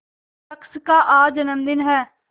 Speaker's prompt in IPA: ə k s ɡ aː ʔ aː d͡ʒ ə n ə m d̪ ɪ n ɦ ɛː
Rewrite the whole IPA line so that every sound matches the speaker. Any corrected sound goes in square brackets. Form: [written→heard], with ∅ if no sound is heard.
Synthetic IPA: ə k s [ɡ→k] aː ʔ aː d͡ʒ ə n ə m d̪ ɪ n ɦ ɛː